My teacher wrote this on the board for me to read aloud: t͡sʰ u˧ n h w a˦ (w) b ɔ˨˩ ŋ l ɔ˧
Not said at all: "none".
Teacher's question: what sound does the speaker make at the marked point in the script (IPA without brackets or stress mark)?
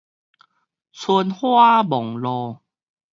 none